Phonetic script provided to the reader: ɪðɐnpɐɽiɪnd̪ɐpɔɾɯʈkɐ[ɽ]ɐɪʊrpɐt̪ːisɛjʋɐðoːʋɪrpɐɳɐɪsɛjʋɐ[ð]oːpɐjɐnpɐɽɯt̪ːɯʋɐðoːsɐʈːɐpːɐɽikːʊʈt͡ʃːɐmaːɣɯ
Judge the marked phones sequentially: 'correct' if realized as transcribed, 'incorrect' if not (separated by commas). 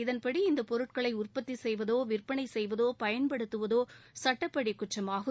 incorrect, correct